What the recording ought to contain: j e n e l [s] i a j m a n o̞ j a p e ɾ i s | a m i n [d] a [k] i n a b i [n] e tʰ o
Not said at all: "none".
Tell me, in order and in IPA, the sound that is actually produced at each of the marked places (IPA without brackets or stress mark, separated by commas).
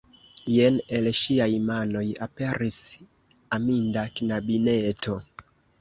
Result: ʃ, d, k, n